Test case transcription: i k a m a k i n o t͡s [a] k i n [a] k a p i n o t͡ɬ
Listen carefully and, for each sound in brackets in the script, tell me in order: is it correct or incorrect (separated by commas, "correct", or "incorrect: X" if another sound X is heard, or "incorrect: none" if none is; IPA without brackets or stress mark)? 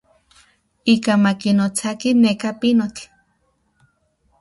correct, incorrect: e